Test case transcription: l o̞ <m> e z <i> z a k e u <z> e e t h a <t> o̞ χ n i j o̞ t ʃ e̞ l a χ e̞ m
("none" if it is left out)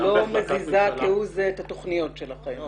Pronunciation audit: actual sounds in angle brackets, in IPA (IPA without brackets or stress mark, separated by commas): m, i, z, t